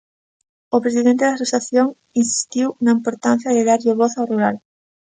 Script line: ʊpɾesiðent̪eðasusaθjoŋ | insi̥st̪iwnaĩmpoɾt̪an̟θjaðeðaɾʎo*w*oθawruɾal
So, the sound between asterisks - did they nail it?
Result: no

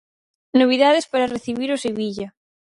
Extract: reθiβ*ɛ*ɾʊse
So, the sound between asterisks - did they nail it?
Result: no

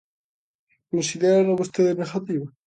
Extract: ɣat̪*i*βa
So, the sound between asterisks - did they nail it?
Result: yes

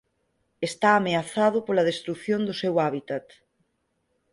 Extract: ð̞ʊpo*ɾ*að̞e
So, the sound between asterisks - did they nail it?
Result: no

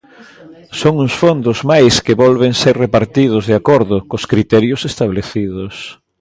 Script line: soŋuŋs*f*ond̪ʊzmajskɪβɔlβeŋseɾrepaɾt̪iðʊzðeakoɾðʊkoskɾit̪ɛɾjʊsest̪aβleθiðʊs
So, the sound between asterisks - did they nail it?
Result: yes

